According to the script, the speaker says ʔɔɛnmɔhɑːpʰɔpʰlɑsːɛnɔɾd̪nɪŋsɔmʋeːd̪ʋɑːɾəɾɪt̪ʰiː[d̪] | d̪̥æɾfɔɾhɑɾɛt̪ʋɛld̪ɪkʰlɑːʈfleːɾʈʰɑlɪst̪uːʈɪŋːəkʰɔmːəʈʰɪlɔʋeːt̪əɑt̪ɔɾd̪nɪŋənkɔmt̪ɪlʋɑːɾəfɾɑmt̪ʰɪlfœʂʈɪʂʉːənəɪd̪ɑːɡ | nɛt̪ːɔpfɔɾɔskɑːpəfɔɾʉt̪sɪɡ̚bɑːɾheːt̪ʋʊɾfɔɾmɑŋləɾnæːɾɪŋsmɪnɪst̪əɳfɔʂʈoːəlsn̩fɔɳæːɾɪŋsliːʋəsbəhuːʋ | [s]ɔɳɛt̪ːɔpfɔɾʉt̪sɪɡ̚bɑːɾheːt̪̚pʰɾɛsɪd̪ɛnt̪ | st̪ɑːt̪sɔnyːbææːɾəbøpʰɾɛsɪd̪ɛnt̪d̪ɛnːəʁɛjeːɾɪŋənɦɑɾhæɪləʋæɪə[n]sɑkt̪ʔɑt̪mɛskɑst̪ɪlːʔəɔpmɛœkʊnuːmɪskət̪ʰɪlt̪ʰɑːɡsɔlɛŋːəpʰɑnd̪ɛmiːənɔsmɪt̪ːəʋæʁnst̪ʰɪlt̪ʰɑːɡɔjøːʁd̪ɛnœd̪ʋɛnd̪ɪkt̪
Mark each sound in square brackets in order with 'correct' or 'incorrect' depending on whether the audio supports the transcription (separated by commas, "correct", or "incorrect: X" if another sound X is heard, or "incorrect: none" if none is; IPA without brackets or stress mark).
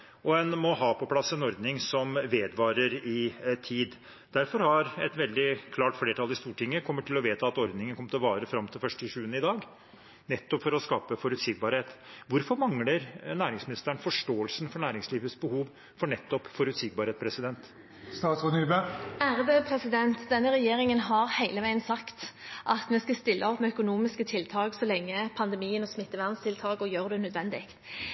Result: correct, incorrect: f, correct